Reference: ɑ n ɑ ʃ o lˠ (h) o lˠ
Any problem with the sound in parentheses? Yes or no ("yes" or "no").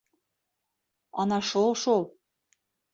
yes